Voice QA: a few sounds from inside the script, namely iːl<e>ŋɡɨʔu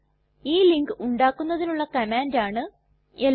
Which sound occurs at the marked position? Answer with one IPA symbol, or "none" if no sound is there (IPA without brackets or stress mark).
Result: i